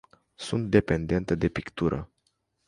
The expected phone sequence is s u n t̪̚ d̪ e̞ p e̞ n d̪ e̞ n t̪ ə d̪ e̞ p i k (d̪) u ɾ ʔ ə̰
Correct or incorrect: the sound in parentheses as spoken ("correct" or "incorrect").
incorrect